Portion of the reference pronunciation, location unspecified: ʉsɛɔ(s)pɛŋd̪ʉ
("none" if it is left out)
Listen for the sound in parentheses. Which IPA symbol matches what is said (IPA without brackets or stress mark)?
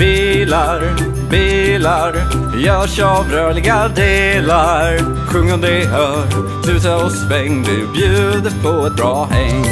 s